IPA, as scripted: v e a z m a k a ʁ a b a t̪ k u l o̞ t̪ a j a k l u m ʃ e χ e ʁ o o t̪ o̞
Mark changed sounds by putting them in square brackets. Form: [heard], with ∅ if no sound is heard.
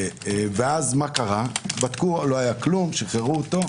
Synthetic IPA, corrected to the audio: v e a z m a k a ʁ a b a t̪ k u l o̞ [∅] a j a k l u m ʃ e χ e ʁ [u] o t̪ o̞